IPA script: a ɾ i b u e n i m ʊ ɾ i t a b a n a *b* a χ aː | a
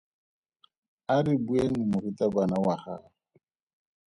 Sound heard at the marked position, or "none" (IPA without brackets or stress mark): w